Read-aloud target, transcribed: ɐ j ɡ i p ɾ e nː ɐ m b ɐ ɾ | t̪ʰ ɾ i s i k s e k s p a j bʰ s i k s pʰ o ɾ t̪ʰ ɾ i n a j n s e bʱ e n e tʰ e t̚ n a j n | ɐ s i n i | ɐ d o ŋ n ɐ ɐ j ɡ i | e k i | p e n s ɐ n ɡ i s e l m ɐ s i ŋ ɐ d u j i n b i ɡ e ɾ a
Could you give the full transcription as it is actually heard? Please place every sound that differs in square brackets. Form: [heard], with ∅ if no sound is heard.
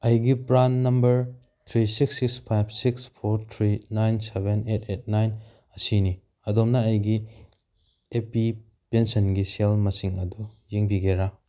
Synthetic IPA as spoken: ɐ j ɡ i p ɾ [a] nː ɐ m b ɐ ɾ | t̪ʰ ɾ i s i k s [i] k s [pʰ] a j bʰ s i k s pʰ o ɾ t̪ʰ ɾ i n a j n s e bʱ e n e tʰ e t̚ n a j n | ɐ s i n i | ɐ d o [m] n ɐ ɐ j ɡ i | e [p] i | p e n s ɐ n ɡ i s e l m ɐ s i ŋ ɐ d u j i [ŋ] b i ɡ e ɾ a